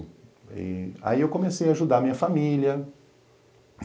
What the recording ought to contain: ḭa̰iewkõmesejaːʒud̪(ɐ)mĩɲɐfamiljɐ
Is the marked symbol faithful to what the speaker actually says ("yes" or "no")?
no